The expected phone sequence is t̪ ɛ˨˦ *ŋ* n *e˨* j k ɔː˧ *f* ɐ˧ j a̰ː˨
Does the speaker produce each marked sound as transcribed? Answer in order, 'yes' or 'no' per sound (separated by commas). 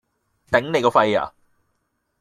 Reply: yes, yes, yes